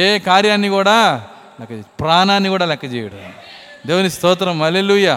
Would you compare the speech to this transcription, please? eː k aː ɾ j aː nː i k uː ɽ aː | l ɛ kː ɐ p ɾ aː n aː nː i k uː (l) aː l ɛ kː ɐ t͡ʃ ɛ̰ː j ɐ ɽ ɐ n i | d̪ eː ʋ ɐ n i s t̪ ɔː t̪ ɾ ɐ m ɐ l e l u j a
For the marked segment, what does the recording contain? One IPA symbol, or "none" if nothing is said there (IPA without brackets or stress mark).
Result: ɽ